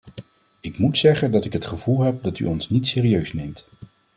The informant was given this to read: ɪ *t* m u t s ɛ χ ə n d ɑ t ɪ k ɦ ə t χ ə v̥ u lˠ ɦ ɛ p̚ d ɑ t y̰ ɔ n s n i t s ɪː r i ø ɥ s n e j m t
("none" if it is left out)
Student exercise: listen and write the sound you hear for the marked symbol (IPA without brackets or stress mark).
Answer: k